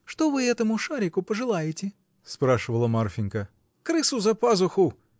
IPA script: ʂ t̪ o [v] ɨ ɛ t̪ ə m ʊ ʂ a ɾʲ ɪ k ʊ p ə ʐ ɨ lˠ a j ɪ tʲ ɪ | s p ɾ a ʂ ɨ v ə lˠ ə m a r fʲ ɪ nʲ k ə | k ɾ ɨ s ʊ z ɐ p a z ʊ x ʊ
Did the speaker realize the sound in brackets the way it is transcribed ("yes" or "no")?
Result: yes